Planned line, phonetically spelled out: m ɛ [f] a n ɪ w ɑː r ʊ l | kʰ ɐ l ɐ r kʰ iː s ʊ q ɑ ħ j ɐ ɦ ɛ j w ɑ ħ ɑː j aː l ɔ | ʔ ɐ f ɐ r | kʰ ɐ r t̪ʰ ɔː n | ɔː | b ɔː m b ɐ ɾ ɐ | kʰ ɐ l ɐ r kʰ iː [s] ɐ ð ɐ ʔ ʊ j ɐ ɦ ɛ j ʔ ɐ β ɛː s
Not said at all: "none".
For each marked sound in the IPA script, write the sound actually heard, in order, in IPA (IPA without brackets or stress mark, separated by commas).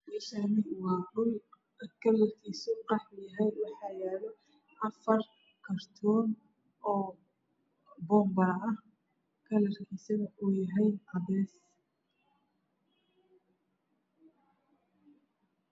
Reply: ʃ, s